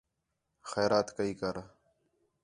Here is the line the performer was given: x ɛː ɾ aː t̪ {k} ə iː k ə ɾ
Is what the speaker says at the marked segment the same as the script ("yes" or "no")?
yes